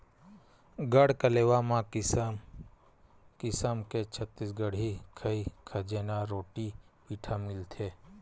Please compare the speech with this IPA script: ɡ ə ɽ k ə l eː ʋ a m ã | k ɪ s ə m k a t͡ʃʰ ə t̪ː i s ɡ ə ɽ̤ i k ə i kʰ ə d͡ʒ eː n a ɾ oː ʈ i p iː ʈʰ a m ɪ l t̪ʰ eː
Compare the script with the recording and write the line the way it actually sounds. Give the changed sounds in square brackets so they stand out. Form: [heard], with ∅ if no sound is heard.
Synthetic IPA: ɡ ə ɽ k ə l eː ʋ a m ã | k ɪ s ə m k [e] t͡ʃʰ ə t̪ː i s ɡ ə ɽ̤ i [kʰ] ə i kʰ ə d͡ʒ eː n a ɾ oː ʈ i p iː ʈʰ a m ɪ l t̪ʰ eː

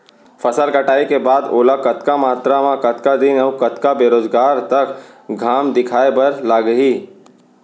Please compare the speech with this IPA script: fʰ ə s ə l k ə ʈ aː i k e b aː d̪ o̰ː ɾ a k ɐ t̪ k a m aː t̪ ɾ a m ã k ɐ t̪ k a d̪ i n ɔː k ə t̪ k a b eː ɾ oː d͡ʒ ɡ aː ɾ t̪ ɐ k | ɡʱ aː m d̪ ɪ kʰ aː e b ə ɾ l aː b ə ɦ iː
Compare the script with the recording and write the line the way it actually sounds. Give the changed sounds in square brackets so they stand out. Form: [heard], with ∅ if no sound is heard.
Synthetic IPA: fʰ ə s ə l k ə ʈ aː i k e b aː d̪ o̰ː [l] a k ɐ t̪ k a m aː t̪ ɾ a m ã k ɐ t̪ k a d̪ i n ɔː k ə t̪ k a b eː ɾ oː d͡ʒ ɡ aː ɾ t̪ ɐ k | ɡʱ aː m d̪ ɪ kʰ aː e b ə ɾ l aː [ɡ] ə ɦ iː

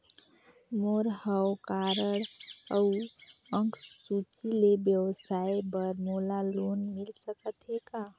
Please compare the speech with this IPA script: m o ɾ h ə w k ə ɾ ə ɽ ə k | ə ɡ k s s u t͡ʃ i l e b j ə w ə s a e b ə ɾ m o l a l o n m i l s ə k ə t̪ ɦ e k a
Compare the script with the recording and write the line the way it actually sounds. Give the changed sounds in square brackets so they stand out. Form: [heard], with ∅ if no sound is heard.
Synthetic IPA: m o ɾ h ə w k [a] ɾ ə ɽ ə [∅] | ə [ŋ] k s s u t͡ʃ i l e b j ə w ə s a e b ə ɾ m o l a l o n m i l s ə k ə t̪ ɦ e k a

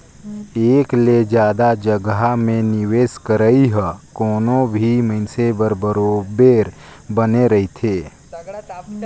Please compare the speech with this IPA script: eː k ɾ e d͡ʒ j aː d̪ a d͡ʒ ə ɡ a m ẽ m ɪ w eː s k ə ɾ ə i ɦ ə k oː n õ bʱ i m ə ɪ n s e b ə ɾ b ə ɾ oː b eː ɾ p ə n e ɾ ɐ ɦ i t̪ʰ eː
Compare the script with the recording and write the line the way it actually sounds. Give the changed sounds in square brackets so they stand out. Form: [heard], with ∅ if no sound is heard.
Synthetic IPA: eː k [l] e d͡ʒ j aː d̪ a d͡ʒ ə ɡ a m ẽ [n] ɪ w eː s k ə ɾ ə i ɦ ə k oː n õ bʱ i m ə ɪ n s e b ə ɾ b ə ɾ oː b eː ɾ [b] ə n e ɾ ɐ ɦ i t̪ʰ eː

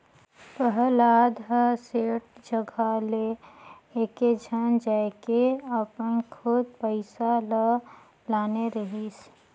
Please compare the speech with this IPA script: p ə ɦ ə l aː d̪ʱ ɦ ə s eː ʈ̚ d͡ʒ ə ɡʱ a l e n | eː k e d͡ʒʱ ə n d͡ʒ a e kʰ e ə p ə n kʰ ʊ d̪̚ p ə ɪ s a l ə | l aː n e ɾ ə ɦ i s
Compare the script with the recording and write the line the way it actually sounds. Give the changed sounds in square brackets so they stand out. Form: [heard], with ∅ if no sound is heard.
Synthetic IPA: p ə ɦ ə l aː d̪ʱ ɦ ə s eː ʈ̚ d͡ʒ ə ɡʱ a l e [∅] | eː k e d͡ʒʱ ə n d͡ʒ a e [k] e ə p ə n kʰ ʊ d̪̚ p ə ɪ s a l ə | l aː n e ɾ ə ɦ i s

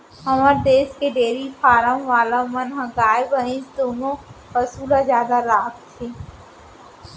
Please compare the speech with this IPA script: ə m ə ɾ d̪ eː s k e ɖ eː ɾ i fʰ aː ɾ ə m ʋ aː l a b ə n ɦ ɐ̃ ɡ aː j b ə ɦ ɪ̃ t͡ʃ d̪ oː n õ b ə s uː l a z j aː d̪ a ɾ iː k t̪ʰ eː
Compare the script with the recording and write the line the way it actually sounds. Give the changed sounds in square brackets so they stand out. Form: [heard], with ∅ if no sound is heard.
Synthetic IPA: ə m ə ɾ d̪ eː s k e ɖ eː ɾ i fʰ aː ɾ ə m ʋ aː l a [m] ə n ɦ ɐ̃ ɡ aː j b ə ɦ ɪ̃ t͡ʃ d̪ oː n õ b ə s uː l a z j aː d̪ a ɾ [aː] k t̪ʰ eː

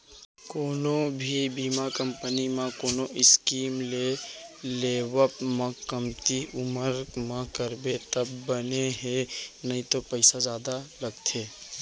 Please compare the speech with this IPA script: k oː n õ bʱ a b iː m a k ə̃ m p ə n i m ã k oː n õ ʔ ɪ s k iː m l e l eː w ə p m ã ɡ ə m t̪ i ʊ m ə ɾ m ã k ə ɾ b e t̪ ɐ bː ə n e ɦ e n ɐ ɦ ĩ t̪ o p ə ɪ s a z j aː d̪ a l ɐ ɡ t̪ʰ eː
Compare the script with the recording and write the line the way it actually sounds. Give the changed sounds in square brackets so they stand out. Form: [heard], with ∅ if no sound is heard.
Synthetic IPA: k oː n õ bʱ [i] b iː m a k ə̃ m p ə n i m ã k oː n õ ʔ ɪ s k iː m l e l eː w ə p m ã [k] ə m t̪ i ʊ m ə ɾ m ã k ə ɾ b e t̪ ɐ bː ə n e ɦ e n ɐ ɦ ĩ t̪ o p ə ɪ s a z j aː d̪ a l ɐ ɡ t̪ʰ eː

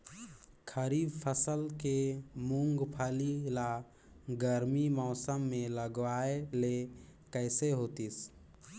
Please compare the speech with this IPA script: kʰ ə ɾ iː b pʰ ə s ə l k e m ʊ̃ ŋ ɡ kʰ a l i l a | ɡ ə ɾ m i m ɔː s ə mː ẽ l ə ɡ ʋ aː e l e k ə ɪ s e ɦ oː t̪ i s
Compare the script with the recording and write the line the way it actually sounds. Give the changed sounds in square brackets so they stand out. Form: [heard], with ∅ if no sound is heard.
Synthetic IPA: kʰ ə ɾ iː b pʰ ə s ə l k e m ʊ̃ ŋ ɡ [pʰ] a l i l a | ɡ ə ɾ m i m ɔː s ə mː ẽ l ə ɡ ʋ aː e l e k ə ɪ s e ɦ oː t̪ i s

